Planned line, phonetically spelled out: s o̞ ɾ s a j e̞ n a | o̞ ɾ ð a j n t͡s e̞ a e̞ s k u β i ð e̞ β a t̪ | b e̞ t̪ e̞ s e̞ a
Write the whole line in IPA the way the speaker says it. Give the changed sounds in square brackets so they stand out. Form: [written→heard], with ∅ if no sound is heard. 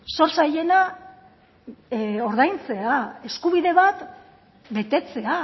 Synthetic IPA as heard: s o̞ ɾ s a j e̞ n a | o̞ ɾ ð a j n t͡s e̞ a e̞ s k u β i ð e̞ β a t̪ | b e̞ t̪ e̞ [s→t͡s] e̞ a